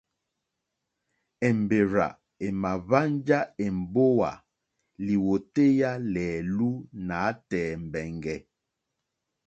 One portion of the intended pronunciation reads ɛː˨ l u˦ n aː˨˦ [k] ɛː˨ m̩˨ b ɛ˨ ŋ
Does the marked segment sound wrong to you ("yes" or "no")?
yes